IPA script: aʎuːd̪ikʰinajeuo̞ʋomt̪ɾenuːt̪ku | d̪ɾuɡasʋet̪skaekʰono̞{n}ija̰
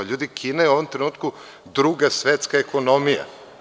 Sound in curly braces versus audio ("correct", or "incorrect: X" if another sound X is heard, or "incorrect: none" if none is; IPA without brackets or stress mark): incorrect: m